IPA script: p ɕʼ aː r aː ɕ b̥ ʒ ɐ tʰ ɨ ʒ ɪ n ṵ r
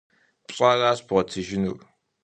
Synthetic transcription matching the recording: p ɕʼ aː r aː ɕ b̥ ʁ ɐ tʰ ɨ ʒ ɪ n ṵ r